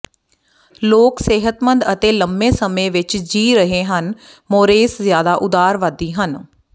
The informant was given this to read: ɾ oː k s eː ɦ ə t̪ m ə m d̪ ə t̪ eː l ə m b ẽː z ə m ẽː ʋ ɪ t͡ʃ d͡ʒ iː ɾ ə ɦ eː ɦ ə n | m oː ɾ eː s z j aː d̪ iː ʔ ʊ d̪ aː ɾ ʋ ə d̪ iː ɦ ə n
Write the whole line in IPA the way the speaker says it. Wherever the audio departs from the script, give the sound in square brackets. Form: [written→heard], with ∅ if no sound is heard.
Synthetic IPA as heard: [ɾ→l] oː k s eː ɦ ə t̪ m ə [m→n] d̪ ə t̪ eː l ə m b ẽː [z→s] ə m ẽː ʋ ɪ t͡ʃ d͡ʒ iː ɾ ə ɦ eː ɦ ə n | m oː ɾ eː s z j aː d̪ [iː→aː] ʔ ʊ d̪ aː ɾ ʋ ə d̪ iː ɦ ə n